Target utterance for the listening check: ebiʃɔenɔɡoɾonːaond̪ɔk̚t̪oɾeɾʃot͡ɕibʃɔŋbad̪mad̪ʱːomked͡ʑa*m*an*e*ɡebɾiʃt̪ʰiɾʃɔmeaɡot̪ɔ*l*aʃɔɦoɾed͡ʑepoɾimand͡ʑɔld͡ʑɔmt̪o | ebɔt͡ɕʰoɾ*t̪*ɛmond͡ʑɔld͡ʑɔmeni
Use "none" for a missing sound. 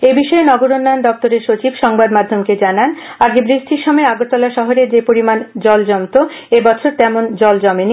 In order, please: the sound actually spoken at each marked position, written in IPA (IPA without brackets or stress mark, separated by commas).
n, a, l, t̪